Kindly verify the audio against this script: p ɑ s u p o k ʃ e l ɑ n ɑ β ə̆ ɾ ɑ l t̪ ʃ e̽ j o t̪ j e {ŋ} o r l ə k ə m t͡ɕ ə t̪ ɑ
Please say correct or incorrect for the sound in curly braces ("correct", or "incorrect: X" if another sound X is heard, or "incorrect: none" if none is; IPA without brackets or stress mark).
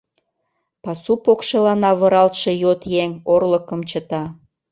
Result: correct